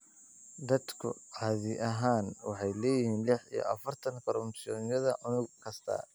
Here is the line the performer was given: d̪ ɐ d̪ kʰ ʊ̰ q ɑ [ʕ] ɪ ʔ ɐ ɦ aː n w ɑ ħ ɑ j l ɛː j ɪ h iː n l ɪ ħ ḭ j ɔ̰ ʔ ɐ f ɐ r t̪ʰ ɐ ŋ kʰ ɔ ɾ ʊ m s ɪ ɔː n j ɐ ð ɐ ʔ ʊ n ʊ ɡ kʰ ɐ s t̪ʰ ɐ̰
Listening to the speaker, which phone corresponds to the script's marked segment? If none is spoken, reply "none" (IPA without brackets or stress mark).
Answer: ð